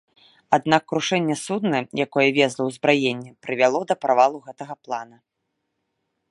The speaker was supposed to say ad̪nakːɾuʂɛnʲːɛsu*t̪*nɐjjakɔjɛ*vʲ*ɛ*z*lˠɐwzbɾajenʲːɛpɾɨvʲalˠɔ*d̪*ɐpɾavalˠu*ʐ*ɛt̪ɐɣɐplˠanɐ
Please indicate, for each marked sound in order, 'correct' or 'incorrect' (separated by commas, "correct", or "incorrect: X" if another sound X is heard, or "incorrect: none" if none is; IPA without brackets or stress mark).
incorrect: d̪, correct, correct, correct, incorrect: ɣ